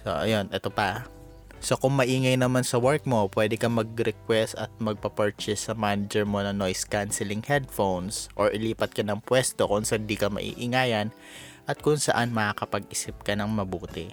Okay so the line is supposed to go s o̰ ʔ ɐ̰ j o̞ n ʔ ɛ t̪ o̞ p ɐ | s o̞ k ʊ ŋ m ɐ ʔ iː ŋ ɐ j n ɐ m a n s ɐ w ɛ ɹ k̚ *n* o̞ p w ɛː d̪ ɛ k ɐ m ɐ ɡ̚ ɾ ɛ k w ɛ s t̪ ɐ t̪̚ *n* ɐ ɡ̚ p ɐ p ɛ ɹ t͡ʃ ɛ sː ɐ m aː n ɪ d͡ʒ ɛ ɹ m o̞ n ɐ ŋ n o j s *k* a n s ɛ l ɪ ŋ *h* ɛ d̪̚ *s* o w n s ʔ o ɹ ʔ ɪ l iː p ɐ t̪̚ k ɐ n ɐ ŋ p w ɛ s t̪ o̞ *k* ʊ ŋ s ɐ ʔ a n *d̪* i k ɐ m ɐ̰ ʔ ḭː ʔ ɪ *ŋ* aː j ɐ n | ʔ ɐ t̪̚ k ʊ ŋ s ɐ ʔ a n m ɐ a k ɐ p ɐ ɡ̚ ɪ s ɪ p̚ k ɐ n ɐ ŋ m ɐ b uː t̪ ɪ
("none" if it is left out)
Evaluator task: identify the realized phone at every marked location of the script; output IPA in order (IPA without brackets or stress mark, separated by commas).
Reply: m, m, k, h, f, k, d̪, ŋ